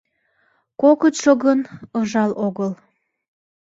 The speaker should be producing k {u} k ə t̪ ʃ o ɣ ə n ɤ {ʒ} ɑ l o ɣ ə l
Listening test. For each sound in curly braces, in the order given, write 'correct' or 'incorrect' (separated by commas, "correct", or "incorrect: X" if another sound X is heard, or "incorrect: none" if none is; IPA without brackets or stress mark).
incorrect: o, correct